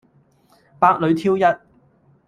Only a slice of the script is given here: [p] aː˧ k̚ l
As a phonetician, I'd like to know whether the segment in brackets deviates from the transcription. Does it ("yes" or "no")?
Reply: no